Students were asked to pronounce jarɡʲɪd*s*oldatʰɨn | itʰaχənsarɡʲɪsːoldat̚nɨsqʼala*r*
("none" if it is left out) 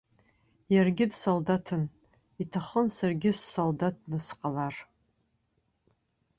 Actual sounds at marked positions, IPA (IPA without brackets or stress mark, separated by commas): s, r